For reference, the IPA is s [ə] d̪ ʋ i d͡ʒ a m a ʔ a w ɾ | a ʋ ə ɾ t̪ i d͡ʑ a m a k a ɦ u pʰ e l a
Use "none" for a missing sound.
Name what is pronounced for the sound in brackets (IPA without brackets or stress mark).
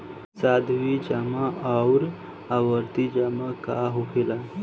a